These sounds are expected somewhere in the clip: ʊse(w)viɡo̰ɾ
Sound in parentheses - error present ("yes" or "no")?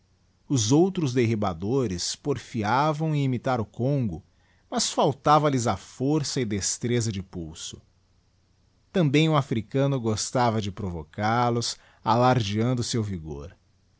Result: no